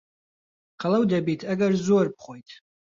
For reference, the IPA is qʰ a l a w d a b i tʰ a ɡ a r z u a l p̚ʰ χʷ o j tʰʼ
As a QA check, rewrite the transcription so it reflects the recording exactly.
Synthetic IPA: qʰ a l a w d a b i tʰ a ɡ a r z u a r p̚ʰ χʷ o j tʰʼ